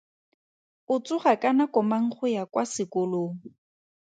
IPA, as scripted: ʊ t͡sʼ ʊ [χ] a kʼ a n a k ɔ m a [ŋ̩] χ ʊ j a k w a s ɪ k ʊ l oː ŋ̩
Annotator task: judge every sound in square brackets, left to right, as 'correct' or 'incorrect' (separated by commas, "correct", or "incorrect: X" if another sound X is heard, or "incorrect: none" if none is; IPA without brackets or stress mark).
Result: correct, correct